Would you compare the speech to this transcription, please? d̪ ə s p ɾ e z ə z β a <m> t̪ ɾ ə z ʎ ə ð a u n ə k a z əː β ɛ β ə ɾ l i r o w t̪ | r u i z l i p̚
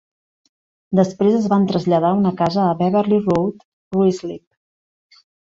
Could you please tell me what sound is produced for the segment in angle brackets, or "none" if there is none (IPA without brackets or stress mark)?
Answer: n